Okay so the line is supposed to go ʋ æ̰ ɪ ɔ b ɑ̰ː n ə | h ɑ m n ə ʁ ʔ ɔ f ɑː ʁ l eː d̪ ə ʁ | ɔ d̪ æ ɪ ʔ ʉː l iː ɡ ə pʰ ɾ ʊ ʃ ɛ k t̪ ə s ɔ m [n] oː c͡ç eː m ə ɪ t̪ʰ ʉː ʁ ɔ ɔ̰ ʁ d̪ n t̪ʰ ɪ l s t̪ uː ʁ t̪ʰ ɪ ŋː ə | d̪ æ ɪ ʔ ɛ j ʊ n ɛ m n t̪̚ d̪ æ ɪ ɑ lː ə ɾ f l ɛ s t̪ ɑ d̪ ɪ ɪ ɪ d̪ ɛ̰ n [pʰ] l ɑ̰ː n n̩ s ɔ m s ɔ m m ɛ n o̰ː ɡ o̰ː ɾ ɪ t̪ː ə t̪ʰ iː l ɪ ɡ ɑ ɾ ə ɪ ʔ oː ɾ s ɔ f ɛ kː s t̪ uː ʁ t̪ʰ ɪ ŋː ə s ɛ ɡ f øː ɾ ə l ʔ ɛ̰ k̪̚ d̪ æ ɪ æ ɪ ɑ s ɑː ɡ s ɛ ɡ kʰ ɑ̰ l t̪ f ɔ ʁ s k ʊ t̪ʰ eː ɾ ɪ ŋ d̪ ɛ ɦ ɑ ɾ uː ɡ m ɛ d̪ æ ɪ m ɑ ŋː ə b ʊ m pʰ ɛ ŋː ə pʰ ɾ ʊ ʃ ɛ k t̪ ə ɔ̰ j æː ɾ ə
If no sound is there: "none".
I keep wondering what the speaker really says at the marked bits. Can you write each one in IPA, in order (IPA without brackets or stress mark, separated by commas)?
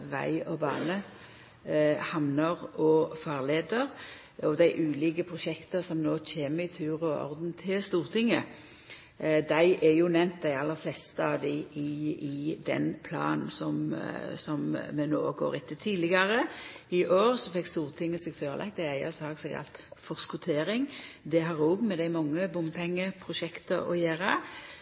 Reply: n, pʰ